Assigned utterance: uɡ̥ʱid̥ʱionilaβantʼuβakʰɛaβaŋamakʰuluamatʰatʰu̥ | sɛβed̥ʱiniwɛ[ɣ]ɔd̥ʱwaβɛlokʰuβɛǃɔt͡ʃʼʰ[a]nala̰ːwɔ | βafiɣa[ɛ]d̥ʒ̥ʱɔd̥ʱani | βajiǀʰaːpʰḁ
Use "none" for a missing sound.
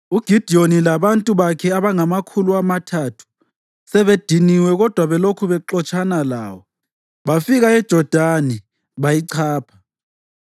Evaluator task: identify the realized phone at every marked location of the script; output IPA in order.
ɣ, a, ɛ

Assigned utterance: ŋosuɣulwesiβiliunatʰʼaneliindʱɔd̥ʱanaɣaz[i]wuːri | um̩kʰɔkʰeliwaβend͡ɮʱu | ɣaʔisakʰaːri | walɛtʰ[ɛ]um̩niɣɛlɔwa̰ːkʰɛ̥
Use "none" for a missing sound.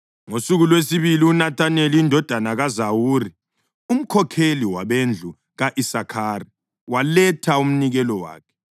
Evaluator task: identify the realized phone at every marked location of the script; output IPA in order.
a, a

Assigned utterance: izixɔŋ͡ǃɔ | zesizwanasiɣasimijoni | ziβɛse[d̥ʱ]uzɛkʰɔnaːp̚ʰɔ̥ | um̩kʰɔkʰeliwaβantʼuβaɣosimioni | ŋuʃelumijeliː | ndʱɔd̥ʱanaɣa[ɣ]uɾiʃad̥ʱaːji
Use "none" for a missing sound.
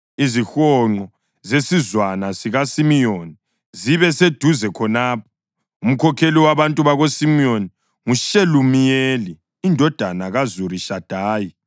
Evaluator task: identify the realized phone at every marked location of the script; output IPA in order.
d̥ʱ, z

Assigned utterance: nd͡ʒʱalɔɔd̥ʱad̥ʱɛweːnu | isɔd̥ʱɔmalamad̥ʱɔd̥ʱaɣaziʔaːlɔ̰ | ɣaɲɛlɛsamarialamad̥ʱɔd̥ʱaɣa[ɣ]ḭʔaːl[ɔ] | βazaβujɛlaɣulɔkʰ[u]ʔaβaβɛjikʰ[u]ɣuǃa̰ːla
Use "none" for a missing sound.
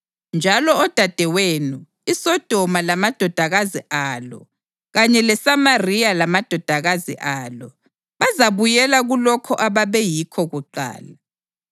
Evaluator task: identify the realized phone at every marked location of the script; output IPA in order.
z, ɔ, ɔ, ɔ

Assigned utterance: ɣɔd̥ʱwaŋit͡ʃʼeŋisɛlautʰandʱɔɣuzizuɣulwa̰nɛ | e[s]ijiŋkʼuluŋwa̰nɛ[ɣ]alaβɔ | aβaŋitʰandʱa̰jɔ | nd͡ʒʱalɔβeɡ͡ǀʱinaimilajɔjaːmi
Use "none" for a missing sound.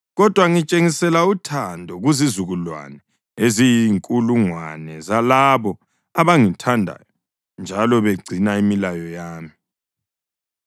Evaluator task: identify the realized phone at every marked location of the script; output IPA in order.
z, z

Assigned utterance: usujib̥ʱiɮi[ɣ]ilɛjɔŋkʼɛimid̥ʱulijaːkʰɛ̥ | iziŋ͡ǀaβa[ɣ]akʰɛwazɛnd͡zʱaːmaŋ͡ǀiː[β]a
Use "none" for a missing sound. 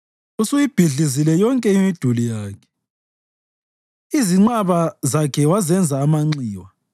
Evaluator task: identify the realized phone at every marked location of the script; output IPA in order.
z, z, w

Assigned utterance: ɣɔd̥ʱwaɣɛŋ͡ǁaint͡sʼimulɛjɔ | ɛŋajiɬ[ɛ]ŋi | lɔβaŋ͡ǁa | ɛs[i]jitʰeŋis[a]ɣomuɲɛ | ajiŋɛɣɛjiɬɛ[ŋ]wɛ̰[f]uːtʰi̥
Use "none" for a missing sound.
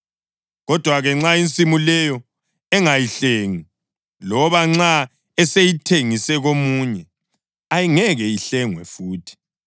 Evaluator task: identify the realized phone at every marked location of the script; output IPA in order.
e, e, ɛ, ŋ, f

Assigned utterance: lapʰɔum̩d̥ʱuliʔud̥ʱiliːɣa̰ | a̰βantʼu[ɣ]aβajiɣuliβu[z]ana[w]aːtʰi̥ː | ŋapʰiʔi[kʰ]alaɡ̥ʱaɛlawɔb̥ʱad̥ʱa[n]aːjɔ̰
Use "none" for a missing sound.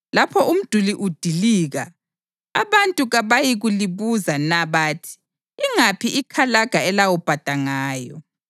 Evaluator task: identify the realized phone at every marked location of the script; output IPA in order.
ɣ, z, β, kʰ, ŋ

